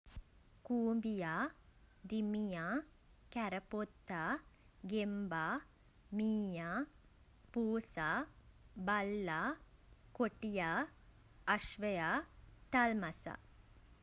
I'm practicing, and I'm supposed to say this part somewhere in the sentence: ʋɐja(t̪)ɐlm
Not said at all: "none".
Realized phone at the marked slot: t̪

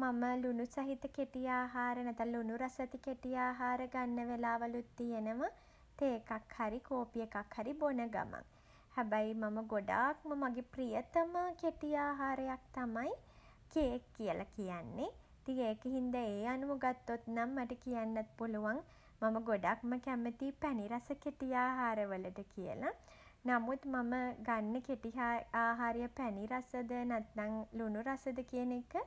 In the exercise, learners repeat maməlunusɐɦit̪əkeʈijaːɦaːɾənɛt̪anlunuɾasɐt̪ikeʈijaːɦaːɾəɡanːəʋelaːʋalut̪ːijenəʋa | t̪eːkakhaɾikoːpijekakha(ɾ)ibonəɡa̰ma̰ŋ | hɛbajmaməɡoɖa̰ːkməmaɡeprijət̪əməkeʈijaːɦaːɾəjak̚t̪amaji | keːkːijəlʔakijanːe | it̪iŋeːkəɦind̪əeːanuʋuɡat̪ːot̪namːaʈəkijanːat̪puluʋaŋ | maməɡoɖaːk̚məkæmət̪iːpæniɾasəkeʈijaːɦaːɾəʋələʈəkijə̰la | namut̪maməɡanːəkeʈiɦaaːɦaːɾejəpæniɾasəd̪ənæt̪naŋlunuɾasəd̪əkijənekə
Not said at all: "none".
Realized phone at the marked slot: ɾ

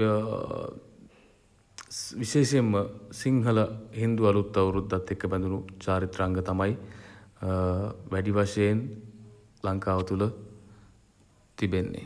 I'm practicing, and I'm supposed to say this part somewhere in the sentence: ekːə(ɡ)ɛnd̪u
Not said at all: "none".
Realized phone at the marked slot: b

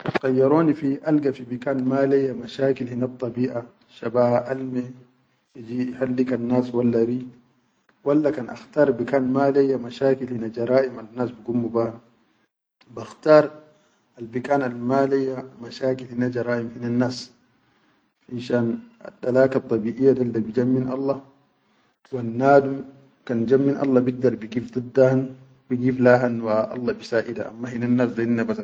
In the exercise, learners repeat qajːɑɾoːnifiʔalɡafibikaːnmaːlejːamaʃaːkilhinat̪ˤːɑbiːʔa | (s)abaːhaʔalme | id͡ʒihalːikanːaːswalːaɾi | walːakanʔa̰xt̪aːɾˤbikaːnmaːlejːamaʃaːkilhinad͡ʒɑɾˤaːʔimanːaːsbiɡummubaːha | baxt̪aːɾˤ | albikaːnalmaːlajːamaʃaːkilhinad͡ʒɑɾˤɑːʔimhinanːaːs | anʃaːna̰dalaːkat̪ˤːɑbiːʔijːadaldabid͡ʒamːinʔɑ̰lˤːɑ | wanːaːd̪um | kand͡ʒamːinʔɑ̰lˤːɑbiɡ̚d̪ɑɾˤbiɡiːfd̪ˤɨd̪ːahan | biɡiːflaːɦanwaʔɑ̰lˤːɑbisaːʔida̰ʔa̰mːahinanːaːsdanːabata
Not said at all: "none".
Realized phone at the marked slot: ʃ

